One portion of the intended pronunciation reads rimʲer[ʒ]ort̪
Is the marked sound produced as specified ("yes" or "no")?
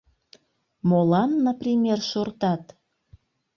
no